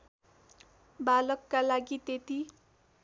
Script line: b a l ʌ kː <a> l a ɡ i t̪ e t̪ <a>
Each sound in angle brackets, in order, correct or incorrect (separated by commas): correct, incorrect